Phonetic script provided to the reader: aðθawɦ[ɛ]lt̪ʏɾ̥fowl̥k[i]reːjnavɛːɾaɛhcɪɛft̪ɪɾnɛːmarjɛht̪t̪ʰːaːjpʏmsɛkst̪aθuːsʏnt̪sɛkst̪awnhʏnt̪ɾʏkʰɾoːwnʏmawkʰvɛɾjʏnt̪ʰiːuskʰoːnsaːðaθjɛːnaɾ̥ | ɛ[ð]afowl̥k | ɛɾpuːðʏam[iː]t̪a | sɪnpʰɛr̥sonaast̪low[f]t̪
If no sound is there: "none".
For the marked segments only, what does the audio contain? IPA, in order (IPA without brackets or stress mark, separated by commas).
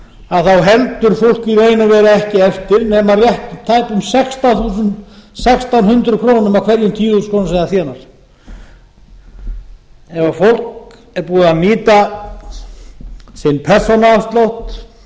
ɛ, i, v, iː, h